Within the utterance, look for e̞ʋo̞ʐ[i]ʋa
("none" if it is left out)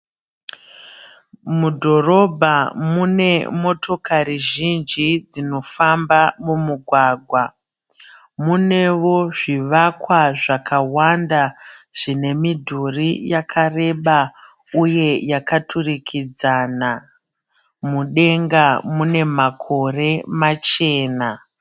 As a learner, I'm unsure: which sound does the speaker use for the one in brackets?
i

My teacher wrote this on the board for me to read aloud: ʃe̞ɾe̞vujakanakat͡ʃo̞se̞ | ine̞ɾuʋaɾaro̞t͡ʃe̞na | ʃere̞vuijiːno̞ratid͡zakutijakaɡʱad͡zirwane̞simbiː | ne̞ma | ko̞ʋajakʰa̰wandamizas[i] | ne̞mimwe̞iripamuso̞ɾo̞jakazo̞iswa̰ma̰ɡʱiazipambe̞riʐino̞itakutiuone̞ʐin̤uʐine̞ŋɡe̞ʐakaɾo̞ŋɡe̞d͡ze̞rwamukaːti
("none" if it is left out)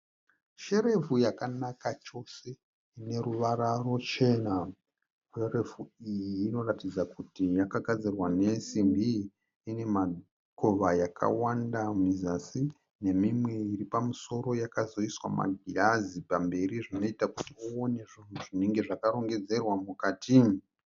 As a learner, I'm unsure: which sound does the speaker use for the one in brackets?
i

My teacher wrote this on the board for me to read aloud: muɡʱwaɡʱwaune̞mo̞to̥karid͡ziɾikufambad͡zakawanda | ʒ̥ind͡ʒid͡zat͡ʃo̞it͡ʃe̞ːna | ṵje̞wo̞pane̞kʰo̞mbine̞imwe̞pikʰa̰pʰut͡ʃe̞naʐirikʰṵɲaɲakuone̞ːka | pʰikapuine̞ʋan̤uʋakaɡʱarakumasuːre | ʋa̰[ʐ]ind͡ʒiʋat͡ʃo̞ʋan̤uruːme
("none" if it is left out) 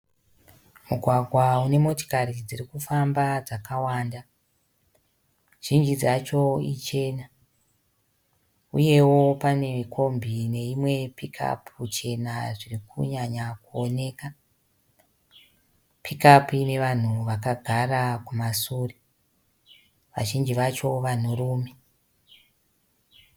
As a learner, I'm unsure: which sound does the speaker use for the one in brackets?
ʒ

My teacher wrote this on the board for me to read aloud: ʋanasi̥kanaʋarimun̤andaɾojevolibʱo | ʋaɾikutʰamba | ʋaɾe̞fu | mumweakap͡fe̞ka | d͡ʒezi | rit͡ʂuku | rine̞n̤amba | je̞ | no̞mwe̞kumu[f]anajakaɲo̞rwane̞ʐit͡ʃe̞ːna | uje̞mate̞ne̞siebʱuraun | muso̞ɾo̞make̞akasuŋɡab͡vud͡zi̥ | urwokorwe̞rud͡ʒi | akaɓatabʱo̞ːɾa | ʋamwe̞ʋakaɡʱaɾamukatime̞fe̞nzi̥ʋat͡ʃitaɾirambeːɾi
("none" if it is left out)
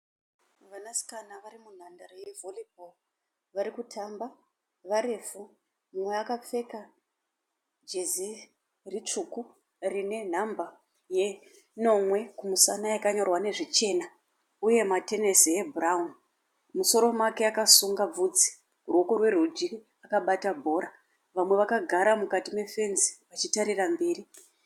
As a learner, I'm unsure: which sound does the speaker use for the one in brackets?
s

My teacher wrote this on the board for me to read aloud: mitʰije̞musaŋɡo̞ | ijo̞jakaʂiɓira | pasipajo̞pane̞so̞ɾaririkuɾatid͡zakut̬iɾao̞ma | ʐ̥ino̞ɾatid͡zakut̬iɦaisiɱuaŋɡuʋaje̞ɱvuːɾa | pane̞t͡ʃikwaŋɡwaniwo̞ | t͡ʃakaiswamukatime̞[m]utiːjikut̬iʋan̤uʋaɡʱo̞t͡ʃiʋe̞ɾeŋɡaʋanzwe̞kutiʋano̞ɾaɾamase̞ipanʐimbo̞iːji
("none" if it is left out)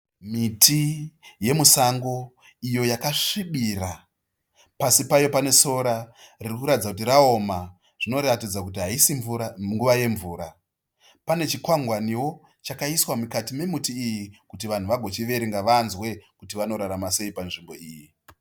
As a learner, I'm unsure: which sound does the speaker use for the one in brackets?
m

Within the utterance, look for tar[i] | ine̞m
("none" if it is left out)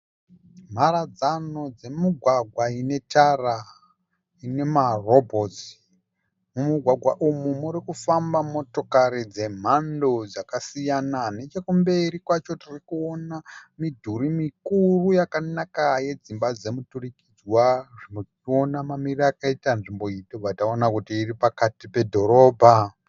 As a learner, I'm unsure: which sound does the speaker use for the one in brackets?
a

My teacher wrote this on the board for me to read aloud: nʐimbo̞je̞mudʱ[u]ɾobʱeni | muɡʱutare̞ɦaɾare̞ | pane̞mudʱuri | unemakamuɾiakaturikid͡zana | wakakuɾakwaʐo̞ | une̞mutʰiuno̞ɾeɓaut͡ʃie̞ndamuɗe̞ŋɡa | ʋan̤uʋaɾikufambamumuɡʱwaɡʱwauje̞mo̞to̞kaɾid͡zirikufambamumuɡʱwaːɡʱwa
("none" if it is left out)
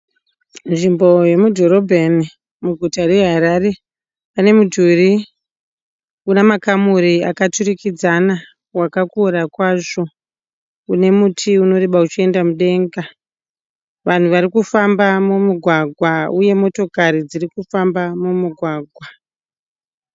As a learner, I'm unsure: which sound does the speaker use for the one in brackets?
o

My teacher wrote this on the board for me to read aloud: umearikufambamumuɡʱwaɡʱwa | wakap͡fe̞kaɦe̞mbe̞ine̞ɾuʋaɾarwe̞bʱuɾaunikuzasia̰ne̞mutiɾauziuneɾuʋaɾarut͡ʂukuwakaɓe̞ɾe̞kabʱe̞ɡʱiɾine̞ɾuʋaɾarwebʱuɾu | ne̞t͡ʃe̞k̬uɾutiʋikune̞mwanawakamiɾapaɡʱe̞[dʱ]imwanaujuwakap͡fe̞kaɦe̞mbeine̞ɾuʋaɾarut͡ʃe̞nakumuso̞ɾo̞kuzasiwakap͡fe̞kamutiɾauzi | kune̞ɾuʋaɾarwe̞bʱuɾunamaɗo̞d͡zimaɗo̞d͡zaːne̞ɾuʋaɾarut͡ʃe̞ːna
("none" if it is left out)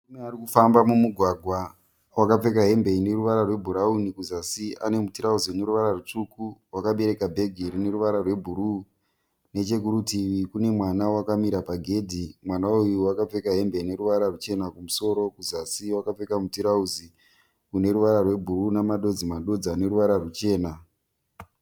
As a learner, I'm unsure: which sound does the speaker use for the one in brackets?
dʱ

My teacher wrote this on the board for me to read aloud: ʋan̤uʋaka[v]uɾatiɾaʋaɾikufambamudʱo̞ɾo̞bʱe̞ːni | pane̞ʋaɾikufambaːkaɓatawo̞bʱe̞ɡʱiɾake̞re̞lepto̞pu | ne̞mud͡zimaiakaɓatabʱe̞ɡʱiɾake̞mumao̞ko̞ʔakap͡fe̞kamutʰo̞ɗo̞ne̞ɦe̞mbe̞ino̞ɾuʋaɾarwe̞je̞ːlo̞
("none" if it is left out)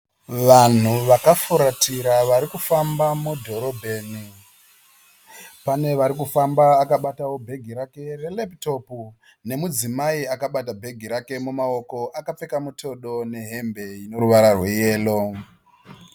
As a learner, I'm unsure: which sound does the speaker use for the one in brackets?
f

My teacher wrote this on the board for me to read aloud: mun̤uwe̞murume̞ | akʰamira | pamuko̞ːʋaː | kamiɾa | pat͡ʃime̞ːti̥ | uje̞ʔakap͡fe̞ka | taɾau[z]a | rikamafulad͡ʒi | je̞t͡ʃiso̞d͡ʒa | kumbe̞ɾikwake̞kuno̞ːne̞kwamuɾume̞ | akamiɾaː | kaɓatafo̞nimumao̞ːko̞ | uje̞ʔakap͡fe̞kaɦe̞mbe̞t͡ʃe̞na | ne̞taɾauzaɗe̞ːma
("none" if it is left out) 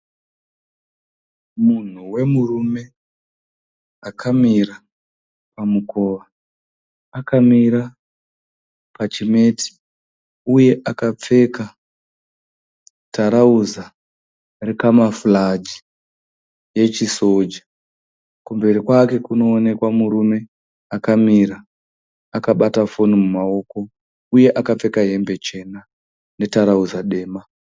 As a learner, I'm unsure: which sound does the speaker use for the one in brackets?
z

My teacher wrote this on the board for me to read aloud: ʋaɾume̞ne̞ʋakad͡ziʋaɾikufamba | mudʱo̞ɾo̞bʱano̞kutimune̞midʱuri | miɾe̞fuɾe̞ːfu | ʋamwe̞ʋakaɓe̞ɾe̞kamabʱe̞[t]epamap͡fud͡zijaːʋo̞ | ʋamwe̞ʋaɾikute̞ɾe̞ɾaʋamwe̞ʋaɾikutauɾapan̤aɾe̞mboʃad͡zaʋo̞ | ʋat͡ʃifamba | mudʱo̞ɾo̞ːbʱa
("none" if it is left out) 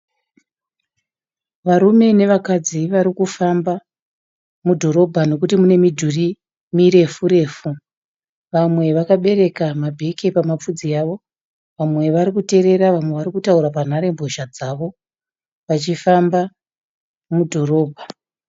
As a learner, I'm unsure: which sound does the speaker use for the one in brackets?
k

